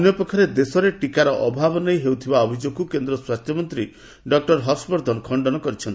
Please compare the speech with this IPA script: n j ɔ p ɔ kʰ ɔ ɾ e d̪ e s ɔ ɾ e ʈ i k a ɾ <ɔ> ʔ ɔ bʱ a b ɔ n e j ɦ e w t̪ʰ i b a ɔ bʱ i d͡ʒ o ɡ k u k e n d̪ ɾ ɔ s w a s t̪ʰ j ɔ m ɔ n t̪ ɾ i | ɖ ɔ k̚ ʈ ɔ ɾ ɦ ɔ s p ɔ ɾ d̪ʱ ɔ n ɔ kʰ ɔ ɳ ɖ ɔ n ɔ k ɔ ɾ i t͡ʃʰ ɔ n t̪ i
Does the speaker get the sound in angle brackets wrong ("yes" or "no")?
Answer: no